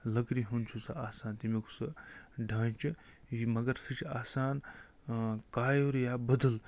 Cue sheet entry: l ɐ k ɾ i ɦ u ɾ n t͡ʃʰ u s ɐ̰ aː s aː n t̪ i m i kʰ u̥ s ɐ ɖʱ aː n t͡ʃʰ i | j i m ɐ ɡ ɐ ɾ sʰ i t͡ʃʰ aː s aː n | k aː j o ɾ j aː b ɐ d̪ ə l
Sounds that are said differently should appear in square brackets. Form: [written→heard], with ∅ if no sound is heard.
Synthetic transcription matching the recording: l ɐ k ɾ i ɦ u [ɾ→∅] n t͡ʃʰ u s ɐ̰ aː s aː n t̪ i m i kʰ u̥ s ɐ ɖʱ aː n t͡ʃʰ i | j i m ɐ ɡ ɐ ɾ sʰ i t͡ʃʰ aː s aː n | k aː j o ɾ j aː b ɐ d̪ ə l